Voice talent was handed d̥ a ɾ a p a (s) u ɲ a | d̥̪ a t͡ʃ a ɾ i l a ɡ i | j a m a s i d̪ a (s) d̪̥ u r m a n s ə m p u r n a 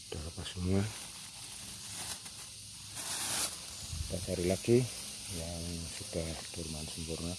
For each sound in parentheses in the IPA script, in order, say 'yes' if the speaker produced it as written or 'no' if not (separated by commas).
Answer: yes, no